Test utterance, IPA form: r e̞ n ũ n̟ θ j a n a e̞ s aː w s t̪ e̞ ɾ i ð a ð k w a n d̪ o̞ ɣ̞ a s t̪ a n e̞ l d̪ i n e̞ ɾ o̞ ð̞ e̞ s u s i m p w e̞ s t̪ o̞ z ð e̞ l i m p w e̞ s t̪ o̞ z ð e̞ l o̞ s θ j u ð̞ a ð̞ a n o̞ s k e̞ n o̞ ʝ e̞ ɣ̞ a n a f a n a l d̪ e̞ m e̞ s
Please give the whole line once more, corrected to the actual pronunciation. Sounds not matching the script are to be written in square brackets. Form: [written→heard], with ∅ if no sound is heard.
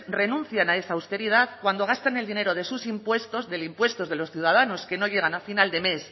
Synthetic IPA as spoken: r e̞ n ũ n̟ θ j a n a e̞ s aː w s t̪ e̞ ɾ i ð a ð k w a n d̪ o̞ ɣ̞ a s t̪ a n e̞ l d̪ i n e̞ ɾ o̞ ð̞ e̞ s u s i m p w e̞ s t̪ o̞ z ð e̞ l i m p w e̞ s t̪ o̞ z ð e̞ l o̞ s θ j u ð̞ a ð̞ a n o̞ s k e̞ n o̞ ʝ e̞ ɣ̞ a n a f [a→i] n a l d̪ e̞ m e̞ s